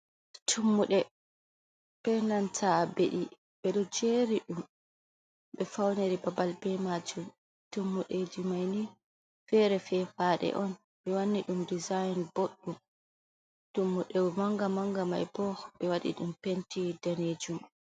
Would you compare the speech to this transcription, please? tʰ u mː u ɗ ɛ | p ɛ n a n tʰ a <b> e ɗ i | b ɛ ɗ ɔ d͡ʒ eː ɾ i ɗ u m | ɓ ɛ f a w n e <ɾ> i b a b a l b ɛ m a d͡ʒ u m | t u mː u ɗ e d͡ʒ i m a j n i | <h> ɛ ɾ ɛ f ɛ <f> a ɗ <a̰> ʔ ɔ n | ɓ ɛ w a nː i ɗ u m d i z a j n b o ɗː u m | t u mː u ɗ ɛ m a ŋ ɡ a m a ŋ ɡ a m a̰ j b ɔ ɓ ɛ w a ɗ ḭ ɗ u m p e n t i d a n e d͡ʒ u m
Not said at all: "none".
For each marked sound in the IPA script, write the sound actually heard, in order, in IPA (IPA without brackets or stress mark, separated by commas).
b, ɾ, f, f, ɛ̰